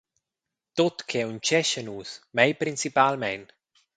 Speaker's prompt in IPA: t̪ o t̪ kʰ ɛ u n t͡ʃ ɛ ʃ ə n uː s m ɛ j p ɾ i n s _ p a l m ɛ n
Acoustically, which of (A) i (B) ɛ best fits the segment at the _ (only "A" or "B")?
A